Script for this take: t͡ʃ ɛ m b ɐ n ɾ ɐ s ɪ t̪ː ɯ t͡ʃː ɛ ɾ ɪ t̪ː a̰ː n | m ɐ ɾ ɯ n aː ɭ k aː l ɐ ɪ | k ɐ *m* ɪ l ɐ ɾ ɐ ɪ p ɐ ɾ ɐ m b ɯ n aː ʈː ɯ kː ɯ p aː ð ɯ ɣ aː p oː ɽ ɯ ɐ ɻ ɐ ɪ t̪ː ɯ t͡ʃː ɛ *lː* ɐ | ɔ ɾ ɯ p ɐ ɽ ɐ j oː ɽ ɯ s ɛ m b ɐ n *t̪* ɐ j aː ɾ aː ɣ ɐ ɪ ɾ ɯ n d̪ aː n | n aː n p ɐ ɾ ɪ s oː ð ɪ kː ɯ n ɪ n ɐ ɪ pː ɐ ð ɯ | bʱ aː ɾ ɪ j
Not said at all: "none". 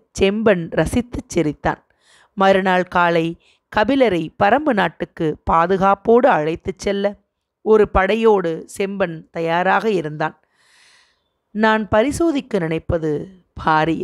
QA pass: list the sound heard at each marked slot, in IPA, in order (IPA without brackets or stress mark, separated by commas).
b, lː, t̪